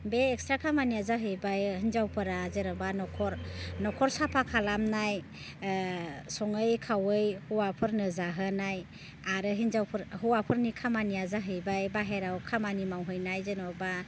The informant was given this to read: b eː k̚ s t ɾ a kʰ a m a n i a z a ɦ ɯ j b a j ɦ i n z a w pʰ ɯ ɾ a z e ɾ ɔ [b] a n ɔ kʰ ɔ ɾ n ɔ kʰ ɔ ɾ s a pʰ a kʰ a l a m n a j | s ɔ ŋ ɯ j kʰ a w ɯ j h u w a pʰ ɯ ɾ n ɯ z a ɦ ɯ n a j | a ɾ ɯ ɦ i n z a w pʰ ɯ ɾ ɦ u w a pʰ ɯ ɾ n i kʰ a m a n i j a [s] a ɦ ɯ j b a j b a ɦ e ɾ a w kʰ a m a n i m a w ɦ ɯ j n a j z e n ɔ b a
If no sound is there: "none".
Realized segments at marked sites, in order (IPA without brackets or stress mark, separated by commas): b, z